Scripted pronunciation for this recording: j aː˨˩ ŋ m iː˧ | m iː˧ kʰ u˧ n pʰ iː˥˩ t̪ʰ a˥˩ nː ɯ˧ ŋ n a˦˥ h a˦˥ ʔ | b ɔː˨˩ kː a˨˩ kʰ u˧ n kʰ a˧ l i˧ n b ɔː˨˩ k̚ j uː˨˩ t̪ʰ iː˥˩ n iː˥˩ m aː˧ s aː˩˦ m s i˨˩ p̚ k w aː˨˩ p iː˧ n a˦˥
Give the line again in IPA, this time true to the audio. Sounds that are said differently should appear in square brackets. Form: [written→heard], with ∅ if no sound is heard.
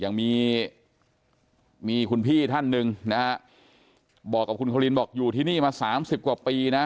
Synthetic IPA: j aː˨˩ ŋ m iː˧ | m iː˧ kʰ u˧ n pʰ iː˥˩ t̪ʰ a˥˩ nː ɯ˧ ŋ n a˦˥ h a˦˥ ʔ | b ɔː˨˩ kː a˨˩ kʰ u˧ n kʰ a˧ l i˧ n b ɔː˨˩ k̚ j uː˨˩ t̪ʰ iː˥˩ n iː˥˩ m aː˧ s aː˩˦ m s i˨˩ p̚ k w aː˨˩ p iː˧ n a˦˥